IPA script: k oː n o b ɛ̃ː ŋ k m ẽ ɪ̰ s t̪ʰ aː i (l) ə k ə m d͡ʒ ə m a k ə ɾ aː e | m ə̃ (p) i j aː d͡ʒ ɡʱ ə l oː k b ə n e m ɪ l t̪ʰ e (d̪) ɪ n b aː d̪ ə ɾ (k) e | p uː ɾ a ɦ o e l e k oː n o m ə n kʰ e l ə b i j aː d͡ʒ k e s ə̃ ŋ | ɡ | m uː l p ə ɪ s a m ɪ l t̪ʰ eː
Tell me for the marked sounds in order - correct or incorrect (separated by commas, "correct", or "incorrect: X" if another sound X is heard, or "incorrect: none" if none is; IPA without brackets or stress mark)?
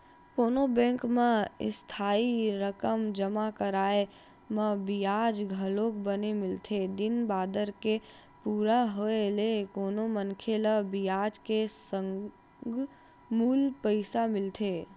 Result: incorrect: ɾ, incorrect: b, correct, correct